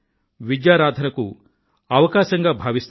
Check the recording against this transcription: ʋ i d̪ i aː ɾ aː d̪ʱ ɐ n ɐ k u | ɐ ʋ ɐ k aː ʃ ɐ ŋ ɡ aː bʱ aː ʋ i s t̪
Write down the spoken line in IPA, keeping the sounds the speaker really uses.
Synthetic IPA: ʋ i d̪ j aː ɾ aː d̪ʱ ɐ n ɐ k u | ɐ ʋ ɐ k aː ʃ ɐ ŋ ɡ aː bʱ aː ʋ i s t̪

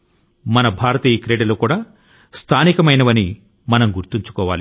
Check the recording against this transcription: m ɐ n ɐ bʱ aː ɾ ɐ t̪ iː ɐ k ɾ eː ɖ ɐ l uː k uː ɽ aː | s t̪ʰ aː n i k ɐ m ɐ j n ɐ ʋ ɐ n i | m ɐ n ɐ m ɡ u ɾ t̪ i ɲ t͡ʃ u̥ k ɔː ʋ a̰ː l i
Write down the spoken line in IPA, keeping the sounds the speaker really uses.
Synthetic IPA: m ɐ n ɐ bʱ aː ɾ ɐ t̪ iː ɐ k ɾ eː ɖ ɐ l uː k uː ɽ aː | s t̪ʰ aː n i k ɐ m ɐ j n ɐ ʋ ɐ n i | m ɐ n ɐ m ɡ u ɾ t̪ i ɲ t͡ʃ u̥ k ɔː ʋ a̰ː l i

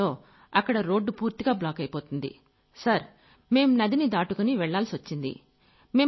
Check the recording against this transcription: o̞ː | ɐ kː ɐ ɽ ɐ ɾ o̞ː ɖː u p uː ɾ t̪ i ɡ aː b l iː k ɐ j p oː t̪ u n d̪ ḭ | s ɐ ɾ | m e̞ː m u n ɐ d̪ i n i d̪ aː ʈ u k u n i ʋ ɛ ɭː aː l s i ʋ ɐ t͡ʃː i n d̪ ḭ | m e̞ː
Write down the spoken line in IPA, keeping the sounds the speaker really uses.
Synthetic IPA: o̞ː | ɐ kː ɐ ɽ ɐ ɾ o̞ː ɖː u p uː ɾ t̪ i ɡ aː b l aː k ɐ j p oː t̪ u n d̪ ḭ | s ɐ ɾ | m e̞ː m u n ɐ d̪ i n i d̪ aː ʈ u k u n i ʋ ɛ ɭː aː l s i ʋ ɐ t͡ʃː i n d̪ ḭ | m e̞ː

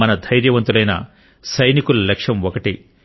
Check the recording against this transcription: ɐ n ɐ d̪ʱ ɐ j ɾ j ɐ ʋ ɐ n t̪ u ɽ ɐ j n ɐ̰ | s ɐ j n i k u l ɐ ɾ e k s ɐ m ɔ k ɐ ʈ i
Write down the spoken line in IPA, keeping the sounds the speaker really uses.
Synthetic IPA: ɐ n ɐ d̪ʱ ɐ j ɾ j ɐ ʋ ɐ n t̪ u l ɐ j n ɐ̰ | s ɐ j n i k u l ɐ l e k ʂ ɐ m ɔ k ɐ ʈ i

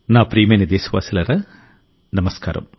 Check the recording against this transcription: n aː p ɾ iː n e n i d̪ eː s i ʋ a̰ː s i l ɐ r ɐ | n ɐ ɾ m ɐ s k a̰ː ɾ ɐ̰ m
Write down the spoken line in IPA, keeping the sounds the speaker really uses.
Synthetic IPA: n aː p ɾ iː m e n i d̪ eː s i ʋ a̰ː s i l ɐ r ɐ | n ɐ m ɐ s k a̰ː ɾ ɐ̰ m

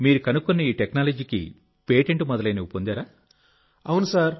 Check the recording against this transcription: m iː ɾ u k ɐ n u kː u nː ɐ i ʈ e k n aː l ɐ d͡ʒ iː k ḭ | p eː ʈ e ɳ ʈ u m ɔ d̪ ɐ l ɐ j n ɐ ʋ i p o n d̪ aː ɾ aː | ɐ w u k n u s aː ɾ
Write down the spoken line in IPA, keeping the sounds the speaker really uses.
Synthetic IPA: m iː ɾ u k ɐ n u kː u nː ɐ iː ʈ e k n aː l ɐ d͡ʒ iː k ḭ | p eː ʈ e ɳ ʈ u m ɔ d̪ ɐ l ɐ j n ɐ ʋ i p o n d̪ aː ɾ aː | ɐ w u n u s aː ɾ

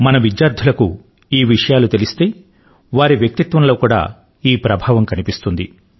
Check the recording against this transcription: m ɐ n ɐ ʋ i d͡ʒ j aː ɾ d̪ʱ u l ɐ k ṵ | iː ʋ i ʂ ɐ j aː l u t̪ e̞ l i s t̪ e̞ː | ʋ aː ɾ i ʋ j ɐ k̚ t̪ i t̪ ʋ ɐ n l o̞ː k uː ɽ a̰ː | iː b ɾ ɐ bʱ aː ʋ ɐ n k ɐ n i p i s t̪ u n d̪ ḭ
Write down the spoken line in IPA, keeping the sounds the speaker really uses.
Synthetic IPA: m ɐ n ɐ ʋ i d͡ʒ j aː ɾ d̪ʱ u l ɐ k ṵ | iː ʋ i ʂ ɐ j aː l u t̪ e̞ l i s t̪ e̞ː | ʋ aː ɾ i ʋ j ɐ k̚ t̪ i t̪ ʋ ɐ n l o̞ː k uː ɽ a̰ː | iː p ɾ ɐ bʱ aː ʋ ɐ m k ɐ n i p i s t̪ u n d̪ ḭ

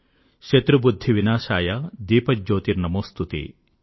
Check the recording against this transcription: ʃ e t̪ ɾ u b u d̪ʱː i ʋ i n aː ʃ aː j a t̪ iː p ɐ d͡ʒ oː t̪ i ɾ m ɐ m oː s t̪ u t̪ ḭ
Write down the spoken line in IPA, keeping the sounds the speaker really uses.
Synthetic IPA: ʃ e t̪ ɾ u b u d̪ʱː i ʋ i n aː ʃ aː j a d̪ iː p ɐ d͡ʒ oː t̪ i ɾ n ɐ m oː s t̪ u t̪ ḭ

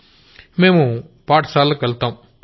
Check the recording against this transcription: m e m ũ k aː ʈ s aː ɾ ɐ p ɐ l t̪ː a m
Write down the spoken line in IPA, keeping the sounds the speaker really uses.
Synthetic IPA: m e m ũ p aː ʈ s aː l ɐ k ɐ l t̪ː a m

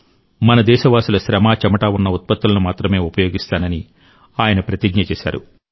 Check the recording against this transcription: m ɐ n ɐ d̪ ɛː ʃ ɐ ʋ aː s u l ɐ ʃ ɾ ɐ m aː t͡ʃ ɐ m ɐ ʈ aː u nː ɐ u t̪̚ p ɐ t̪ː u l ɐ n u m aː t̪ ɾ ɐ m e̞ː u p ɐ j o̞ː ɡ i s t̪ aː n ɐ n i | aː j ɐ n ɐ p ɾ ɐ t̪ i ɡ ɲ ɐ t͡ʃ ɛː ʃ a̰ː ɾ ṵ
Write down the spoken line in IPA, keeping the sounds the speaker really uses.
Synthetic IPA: m ɐ n ɐ d̪ ɛː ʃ ɐ ʋ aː s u l ɐ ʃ ɾ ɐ m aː t͡ʃ ɐ m ɐ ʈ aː u nː ɐ u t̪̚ p ɐ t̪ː u l ɐ n u m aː t̪ ɾ ɐ m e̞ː u p ɐ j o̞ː ɡ i s t̪ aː n ɐ n i | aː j ɐ n ɐ p ɾ ɐ t̪ i ɡ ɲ ɐ t͡ʃ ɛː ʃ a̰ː ɾ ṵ

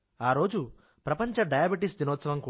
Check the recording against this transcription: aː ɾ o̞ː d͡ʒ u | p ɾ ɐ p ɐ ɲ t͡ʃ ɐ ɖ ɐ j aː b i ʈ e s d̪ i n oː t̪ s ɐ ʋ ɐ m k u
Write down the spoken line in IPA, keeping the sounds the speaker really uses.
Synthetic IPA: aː ɾ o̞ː d͡ʒ u | p ɾ ɐ p ɐ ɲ t͡ʃ ɐ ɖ ɐ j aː b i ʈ i s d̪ i n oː t̪ s ɐ ʋ ɐ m k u

